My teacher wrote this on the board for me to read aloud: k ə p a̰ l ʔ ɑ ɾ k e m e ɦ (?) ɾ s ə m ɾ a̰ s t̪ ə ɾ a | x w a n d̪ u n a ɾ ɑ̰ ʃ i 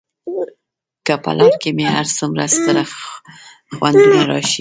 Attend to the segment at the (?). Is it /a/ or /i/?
a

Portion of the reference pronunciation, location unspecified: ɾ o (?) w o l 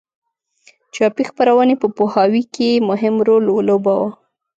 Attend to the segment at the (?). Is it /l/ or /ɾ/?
l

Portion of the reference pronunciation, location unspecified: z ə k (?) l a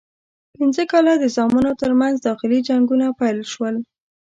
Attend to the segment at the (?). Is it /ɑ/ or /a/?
ɑ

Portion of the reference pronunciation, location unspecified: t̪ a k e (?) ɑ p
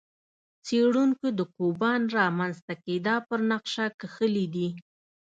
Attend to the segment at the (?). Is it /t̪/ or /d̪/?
d̪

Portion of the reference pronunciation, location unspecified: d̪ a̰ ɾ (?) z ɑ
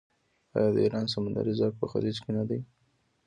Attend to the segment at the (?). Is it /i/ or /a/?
i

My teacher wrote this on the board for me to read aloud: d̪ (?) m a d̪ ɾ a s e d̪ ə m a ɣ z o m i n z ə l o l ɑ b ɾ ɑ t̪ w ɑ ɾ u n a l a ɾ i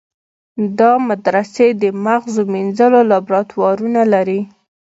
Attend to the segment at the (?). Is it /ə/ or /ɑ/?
ɑ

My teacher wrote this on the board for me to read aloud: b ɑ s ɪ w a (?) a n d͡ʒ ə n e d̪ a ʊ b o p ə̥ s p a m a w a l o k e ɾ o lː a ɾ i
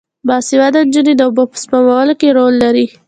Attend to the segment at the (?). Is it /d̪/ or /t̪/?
d̪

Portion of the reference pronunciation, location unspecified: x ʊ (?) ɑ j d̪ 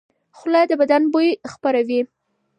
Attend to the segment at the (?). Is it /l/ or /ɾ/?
l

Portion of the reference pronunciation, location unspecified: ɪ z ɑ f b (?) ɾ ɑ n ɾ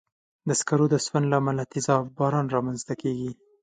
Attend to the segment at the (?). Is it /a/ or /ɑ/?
ɑ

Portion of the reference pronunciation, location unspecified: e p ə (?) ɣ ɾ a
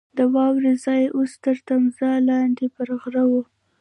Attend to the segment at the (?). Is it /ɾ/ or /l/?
ɾ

